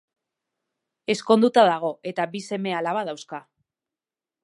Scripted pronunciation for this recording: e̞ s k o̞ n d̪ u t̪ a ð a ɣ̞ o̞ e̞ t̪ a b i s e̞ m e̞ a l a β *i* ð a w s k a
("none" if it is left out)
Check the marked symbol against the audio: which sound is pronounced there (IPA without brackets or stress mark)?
a